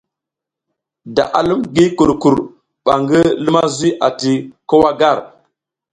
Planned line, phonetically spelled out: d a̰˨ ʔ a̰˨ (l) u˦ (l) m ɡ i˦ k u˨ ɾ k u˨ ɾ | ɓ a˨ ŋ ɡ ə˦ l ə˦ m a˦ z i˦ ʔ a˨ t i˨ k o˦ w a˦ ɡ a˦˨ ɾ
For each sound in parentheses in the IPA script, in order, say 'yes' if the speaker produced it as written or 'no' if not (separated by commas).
yes, no